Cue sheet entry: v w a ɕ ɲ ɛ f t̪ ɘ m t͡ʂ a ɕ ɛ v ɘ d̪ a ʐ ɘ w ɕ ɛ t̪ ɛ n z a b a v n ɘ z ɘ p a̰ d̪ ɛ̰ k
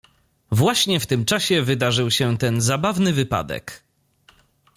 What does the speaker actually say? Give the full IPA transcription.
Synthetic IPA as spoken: v w a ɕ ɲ ɛ f t̪ ɘ m t͡ʂ a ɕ ɛ v ɘ d̪ a ʐ ɘ w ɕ ɛ t̪ ɛ n z a b a v n ɘ v ɘ p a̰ d̪ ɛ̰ k